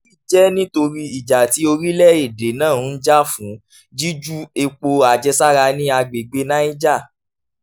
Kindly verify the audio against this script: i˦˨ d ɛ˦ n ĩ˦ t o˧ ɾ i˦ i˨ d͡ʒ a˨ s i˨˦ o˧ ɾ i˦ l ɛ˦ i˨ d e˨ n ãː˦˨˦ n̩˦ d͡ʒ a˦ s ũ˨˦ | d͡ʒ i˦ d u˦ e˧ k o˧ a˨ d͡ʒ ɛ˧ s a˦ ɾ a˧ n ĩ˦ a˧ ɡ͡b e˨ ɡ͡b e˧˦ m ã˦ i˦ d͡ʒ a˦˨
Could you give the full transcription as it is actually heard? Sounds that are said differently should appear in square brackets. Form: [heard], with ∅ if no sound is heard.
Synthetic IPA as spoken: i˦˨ [d͡ʒ] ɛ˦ n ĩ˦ t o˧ ɾ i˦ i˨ d͡ʒ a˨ [t] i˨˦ o˧ ɾ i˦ l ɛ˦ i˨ d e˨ n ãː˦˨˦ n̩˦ d͡ʒ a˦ [f] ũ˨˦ | d͡ʒ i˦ [d͡ʒ] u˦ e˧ [k͡p] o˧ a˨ d͡ʒ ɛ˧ s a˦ ɾ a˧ n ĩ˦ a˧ ɡ͡b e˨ ɡ͡b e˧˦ [n] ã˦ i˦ d͡ʒ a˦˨